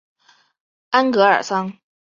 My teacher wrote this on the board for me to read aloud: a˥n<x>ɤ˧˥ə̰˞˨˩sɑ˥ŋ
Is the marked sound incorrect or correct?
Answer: incorrect